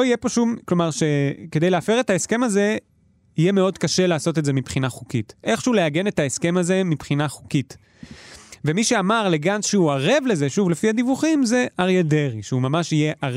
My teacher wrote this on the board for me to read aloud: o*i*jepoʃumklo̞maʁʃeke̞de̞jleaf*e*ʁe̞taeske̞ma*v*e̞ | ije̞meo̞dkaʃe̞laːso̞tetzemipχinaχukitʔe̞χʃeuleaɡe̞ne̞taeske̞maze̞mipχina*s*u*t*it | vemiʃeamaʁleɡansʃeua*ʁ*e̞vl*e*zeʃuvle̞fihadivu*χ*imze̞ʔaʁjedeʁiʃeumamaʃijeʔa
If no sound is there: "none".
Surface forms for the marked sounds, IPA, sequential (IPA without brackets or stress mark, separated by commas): i, e, z, χ, k, ʁ, e, χ